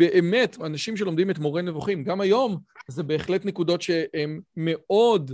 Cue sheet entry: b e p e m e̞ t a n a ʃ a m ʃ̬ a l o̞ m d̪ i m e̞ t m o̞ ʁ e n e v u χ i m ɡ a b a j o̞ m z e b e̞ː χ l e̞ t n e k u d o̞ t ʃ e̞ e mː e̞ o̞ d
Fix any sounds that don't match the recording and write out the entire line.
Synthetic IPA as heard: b e ʔ e m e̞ t a n a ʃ i m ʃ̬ e l o̞ m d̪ i m e̞ t m o̞ ʁ e n e v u χ i m ɡ a m a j o̞ m z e b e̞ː χ l e̞ t n e k u d o̞ t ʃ e̞ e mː e̞ o̞ d